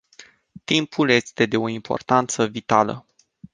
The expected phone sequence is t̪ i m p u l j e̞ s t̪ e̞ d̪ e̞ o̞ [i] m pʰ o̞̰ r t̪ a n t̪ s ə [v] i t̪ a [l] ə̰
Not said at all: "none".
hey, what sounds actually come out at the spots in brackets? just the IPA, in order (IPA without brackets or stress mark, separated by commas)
i, v, l